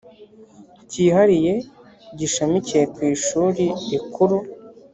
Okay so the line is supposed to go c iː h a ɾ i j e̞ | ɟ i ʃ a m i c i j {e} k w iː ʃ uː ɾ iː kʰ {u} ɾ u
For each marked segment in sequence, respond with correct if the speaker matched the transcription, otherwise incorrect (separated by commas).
correct, correct